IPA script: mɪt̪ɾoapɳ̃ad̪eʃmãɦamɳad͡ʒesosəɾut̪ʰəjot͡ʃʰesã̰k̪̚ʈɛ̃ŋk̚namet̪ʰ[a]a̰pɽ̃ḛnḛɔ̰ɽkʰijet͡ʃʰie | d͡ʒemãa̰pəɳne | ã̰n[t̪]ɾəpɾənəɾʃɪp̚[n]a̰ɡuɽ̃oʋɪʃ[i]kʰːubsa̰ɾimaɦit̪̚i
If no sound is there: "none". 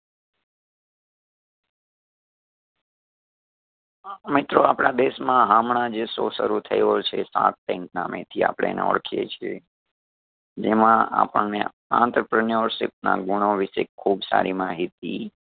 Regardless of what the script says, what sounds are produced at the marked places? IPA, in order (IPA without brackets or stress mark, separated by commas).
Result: i, t̪, n, e